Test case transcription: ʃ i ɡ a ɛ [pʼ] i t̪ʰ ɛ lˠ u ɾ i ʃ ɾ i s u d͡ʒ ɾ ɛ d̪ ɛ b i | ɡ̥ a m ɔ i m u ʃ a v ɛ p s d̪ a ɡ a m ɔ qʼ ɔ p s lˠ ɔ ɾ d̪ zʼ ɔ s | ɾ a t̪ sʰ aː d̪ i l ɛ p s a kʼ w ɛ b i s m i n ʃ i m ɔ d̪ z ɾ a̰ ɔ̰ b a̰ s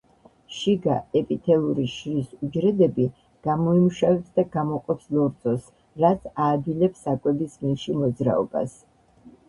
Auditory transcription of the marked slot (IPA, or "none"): pʼ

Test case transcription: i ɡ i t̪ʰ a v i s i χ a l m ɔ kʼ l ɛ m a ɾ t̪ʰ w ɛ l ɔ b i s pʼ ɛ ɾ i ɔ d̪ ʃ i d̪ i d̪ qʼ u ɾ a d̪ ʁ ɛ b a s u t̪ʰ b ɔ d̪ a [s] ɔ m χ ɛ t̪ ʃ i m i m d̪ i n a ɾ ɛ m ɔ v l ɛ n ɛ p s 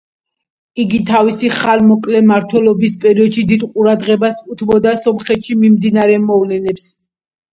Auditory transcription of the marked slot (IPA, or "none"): s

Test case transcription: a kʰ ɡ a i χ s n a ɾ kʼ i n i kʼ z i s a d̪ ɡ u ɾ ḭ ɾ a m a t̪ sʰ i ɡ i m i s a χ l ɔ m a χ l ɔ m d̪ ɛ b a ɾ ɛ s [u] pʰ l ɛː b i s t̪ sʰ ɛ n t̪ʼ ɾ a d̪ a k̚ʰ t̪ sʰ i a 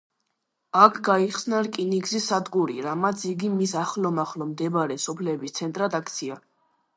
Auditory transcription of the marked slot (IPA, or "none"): ɔ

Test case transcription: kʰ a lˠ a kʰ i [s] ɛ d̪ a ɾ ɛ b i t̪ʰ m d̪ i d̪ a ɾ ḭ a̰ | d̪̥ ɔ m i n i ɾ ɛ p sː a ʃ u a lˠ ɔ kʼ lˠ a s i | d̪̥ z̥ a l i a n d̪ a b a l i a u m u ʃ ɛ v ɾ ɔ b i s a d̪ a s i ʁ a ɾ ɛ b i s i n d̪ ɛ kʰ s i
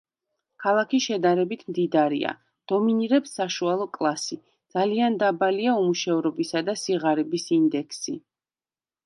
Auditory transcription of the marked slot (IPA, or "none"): ʃ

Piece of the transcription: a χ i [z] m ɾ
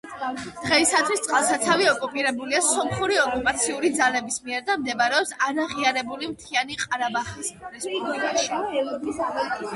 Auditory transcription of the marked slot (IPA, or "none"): s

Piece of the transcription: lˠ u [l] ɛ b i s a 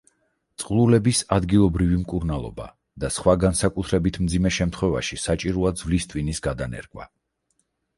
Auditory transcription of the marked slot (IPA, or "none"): l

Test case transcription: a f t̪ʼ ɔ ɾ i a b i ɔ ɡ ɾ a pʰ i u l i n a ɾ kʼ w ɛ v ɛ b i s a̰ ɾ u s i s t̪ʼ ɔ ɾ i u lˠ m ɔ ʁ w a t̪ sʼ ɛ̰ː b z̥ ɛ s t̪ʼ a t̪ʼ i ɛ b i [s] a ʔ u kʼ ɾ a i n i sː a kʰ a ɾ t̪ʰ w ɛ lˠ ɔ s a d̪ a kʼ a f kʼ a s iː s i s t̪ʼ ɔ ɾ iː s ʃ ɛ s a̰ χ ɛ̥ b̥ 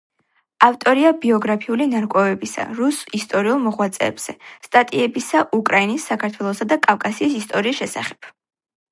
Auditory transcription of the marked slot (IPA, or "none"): s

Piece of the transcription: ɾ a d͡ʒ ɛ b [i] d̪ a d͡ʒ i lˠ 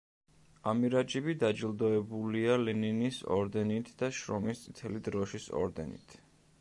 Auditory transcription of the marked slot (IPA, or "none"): i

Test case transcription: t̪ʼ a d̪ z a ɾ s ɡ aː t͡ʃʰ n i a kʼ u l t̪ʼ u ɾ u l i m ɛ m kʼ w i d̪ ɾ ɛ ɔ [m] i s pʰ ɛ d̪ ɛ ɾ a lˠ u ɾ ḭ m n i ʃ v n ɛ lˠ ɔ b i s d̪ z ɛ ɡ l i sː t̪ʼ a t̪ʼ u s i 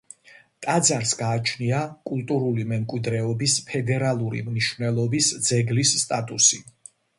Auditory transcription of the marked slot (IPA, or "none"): b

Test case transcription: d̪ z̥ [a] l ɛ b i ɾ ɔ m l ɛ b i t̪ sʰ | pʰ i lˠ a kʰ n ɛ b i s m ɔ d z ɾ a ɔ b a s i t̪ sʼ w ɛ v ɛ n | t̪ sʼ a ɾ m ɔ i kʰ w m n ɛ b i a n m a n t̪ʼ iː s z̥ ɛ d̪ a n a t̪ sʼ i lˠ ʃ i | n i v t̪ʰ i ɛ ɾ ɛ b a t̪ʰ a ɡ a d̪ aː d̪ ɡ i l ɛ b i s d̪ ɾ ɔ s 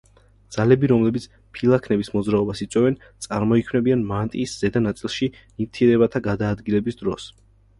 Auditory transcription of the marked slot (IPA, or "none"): a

